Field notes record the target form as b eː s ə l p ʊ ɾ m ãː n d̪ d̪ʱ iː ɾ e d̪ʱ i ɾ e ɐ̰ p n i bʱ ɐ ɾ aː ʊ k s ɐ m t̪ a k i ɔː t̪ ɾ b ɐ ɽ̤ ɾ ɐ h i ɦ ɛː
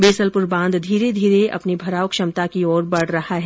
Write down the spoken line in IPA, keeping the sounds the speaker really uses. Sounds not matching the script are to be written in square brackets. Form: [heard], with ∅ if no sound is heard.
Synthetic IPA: b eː s ə l p ʊ ɾ [b] ãː n d̪ d̪ʱ iː ɾ e d̪ʱ [iː] ɾ e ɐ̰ p n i bʱ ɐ ɾ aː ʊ k [ʃ] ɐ m t̪ a k i ɔː [∅] ɾ b ɐ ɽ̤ ɾ ɐ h [a] ɦ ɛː